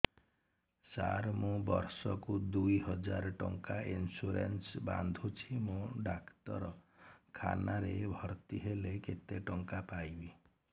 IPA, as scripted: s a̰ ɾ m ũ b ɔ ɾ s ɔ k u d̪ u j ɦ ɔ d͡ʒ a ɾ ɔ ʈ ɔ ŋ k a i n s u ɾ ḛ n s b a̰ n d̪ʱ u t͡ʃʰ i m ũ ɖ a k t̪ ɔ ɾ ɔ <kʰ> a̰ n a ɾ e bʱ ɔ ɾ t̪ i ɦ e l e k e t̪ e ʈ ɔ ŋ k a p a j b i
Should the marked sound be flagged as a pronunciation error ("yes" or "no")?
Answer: no